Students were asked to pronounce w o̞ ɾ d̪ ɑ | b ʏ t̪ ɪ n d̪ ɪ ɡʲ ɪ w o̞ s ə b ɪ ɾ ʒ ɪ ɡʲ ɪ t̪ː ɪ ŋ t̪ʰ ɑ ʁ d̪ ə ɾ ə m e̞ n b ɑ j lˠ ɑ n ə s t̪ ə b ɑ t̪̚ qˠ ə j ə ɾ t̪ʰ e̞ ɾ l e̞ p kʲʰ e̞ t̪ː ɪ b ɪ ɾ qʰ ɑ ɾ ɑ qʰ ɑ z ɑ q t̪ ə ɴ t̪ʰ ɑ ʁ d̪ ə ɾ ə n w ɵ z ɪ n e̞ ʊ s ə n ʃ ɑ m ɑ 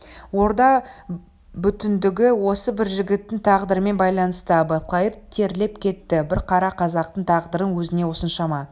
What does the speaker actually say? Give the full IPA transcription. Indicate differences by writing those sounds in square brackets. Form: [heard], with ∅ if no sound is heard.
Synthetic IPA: w o̞ ɾ d̪ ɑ | b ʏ t̪ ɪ n d̪ ɪ ɡʲ ɪ w o̞ s ə b ɪ ɾ ʒ ɪ ɡʲ ɪ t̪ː ɪ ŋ t̪ʰ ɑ ʁ d̪ ə ɾ ə m e̞ n b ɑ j lˠ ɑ n ə s t̪ ə b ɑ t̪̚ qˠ [ɑ] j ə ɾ t̪ʰ e̞ ɾ l e̞ p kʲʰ e̞ t̪ː ɪ b ɪ ɾ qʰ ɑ ɾ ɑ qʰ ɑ z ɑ q t̪ ə ɴ t̪ʰ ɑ ʁ d̪ ə ɾ ə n w ɵ z ɪ n e̞ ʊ s ə n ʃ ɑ m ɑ

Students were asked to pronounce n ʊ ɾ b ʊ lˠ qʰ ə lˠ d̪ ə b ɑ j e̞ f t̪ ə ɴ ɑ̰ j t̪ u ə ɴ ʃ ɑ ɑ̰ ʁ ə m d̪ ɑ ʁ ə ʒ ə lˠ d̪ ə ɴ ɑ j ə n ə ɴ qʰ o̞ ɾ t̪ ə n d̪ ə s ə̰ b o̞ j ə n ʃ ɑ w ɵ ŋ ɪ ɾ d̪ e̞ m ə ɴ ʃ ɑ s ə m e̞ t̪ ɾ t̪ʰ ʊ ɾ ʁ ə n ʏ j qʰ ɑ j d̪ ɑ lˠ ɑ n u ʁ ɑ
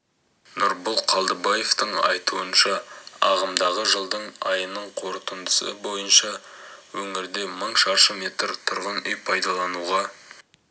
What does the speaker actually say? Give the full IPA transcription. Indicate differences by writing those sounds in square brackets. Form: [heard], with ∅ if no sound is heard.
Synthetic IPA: n ʊ ɾ b ʊ lˠ qʰ [ɑ] lˠ d̪ ə b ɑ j e̞ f t̪ ə ɴ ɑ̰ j t̪ u ə [n] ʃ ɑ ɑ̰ ʁ ə m d̪ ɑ ʁ ə ʒ ə lˠ d̪ ə ɴ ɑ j ə n ə ɴ qʰ o̞ ɾ t̪ ə n d̪ ə s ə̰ b o̞ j ə n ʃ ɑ w ɵ ŋ ɪ ɾ d̪ e̞ m ə ɴ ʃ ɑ [ʃ] ə m e̞ t̪ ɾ t̪ʰ ʊ ɾ ʁ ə n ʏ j [pʰ] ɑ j d̪ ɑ lˠ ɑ n u ʁ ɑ

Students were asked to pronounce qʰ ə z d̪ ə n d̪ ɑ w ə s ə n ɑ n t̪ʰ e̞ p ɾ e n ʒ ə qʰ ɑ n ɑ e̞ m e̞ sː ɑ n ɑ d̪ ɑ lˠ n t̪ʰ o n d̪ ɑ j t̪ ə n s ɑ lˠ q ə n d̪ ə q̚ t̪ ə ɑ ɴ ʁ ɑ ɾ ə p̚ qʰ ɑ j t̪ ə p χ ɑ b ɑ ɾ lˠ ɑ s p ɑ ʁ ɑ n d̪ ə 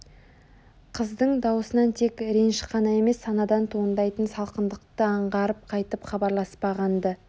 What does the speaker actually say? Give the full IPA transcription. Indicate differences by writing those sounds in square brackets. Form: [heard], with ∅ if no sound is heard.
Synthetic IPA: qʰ ə z d̪ ə [ɴ] d̪ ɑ w ə s ə n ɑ n t̪ʰ e̞ [k] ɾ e n [ʃ] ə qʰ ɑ n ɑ e̞ m e̞ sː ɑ n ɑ d̪ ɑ [∅] n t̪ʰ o n d̪ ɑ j t̪ ə n s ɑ lˠ q ə n d̪ ə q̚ t̪ ə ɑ ɴ ʁ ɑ ɾ ə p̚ qʰ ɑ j t̪ ə p χ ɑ b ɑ ɾ lˠ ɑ s p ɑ ʁ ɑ n d̪ ə

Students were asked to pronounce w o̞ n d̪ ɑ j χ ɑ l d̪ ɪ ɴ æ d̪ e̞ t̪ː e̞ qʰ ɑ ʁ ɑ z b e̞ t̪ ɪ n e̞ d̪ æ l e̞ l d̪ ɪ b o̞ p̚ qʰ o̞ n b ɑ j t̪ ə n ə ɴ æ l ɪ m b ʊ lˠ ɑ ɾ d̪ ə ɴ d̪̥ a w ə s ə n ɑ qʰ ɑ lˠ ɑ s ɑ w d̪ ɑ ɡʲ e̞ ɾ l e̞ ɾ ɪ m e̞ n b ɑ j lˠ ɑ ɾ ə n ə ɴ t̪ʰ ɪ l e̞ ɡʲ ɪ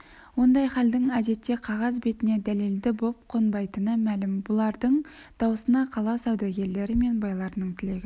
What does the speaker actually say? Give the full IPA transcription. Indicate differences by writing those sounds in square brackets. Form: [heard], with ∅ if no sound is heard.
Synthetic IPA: w o̞ n d̪ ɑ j χ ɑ l d̪ ɪ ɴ æ d̪ e̞ t̪ː e̞ qʰ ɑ ʁ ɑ z b e̞ t̪ ɪ n e̞ d̪ æ l e̞ l d̪ ɪ b o̞ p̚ qʰ o̞ n b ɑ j t̪ ə n ə [m] æ l ɪ m b ʊ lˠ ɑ ɾ d̪ ə ɴ d̪̥ [ɑ] w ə s ə n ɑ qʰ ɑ lˠ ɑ s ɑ w d̪ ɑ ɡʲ e̞ ɾ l e̞ ɾ ɪ m e̞ n b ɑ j lˠ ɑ ɾ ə n ə ɴ t̪ʰ ɪ l e̞ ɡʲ ɪ

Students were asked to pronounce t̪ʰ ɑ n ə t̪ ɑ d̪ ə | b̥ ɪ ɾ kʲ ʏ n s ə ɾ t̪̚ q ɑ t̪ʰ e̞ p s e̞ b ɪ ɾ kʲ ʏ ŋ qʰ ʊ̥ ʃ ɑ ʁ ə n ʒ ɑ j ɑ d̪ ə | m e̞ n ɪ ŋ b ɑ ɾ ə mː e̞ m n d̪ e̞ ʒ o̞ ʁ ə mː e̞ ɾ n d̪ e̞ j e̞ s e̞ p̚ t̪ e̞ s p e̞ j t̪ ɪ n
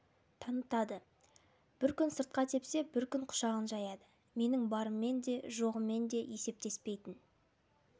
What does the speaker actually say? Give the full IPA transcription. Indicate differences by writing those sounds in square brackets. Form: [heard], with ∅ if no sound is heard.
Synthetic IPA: t̪ʰ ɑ n ə t̪ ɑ d̪ ə | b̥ ɪ ɾ kʲ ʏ n s ə ɾ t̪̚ q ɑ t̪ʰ e̞ p s e̞ b ɪ ɾ kʲ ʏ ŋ qʰ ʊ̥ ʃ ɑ ʁ ə n ʒ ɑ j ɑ d̪ ə | m e̞ n ɪ ŋ b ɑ ɾ ə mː e̞ [∅] n d̪ e̞ ʒ o̞ ʁ ə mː e̞ [∅] n d̪ e̞ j e̞ s e̞ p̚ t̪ e̞ s p e̞ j t̪ ɪ n

